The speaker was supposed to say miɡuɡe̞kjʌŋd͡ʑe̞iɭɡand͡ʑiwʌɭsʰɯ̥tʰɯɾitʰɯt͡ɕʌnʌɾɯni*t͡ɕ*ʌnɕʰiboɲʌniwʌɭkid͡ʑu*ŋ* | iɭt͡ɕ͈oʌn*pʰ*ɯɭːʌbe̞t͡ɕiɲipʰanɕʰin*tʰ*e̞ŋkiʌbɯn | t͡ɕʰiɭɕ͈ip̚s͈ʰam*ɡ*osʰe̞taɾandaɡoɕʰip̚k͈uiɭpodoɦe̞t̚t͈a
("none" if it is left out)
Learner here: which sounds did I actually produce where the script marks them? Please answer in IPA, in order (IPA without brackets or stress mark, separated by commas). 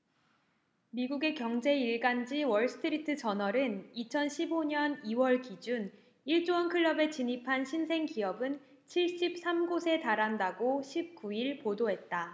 t͡ɕʰ, n, kʰ, sʰ, ɡ